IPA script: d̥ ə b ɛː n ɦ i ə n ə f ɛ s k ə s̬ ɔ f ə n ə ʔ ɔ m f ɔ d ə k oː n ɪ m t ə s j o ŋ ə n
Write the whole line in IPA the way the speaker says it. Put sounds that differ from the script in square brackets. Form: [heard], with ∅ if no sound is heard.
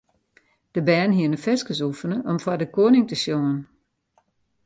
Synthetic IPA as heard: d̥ ə b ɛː n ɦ i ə n ə f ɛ s k ə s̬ [u] f ə n ə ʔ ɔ m f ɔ d ə k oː n ɪ [ŋ] t ə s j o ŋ ə n